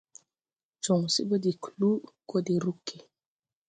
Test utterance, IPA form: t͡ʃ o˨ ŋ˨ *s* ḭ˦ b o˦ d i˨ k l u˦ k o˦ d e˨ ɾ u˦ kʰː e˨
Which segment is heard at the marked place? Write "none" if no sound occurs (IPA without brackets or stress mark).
s